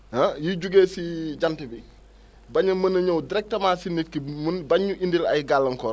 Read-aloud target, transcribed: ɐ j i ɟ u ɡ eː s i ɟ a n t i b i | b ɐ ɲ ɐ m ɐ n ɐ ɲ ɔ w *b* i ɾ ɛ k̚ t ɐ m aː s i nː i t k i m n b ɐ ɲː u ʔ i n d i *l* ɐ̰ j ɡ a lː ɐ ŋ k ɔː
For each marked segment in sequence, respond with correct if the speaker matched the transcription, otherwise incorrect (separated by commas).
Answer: incorrect, correct